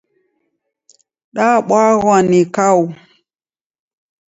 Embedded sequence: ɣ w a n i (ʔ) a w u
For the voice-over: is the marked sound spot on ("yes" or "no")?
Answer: no